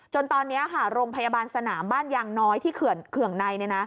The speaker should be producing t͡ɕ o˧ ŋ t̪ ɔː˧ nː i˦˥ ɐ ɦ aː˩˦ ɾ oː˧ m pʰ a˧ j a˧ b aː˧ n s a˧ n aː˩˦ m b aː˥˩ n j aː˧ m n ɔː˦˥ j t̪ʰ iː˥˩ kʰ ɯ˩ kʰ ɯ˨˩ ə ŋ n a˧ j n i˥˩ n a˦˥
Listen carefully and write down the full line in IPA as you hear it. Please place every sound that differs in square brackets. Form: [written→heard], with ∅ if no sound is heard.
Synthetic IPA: t͡ɕ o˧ [ŋ→n] t̪ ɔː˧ nː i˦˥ ɐ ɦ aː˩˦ ɾ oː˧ [m→ŋ] pʰ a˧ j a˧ b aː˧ n s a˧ n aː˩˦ m b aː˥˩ n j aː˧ [m→ŋ] n ɔː˦˥ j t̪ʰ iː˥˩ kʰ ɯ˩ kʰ ɯ˨˩ ə ŋ n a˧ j n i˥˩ n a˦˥

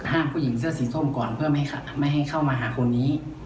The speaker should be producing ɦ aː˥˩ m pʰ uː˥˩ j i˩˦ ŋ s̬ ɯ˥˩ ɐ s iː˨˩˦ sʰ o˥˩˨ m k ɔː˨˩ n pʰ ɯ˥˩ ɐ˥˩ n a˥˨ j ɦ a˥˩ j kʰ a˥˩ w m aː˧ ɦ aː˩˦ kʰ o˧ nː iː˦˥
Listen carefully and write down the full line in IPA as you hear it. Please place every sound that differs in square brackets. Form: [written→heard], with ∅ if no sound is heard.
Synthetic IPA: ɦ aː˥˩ m pʰ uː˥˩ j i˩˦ ŋ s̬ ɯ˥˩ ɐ s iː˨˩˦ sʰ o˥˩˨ m k ɔː˨˩ n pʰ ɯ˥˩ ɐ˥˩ [n→m] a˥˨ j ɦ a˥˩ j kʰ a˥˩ w m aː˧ ɦ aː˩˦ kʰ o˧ nː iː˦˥

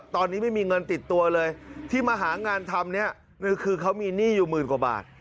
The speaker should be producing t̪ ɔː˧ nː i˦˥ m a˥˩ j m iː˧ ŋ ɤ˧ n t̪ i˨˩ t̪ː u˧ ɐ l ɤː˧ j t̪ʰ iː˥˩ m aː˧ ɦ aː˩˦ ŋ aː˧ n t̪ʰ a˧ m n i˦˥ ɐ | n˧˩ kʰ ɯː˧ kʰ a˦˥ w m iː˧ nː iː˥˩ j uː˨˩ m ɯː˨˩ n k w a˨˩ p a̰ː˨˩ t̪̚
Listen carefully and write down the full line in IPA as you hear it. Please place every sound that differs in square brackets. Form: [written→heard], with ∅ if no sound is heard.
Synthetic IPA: t̪ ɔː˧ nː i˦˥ m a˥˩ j m iː˧ ŋ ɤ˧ n t̪ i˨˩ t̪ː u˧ ɐ l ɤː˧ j t̪ʰ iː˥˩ m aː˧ ɦ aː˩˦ ŋ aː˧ n t̪ʰ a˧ m n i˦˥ ɐ | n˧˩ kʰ ɯː˧ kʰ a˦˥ w m iː˧ [nː→n] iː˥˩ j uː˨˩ m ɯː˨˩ n k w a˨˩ [p→b] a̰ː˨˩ t̪̚

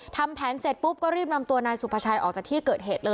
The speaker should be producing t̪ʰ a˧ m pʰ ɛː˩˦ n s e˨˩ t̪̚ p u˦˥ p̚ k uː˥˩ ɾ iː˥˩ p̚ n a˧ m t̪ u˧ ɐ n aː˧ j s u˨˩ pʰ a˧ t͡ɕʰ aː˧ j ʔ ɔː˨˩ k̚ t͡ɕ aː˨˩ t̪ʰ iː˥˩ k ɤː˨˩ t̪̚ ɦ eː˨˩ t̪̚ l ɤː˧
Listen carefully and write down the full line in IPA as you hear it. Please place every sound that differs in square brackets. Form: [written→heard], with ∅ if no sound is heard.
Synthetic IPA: t̪ʰ a˧ m pʰ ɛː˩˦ n s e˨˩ t̪̚ p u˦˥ p̚ k [uː˥˩→ɔː˥˩] ɾ iː˥˩ p̚ n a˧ m t̪ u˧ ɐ n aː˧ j s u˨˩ pʰ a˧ t͡ɕʰ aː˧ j ʔ ɔː˨˩ k̚ t͡ɕ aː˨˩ t̪ʰ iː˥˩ k ɤː˨˩ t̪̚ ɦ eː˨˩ t̪̚ l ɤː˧

